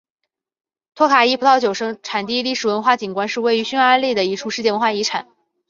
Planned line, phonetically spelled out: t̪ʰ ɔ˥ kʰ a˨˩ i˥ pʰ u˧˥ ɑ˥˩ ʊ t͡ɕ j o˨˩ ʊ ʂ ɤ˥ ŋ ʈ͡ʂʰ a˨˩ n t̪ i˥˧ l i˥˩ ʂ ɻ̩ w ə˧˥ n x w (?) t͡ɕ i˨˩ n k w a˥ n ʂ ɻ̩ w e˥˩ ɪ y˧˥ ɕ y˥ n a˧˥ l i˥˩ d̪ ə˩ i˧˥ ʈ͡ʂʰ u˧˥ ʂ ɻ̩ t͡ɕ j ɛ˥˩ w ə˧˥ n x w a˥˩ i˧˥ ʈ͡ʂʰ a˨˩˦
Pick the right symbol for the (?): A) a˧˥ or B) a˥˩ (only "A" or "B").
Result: B